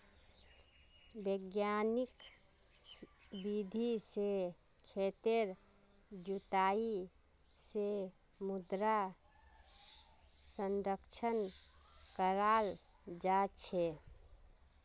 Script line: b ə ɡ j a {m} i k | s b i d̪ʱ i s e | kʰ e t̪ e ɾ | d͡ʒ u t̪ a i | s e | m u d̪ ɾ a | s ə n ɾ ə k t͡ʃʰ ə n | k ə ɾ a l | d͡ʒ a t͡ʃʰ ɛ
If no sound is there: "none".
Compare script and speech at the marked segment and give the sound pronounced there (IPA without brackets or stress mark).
n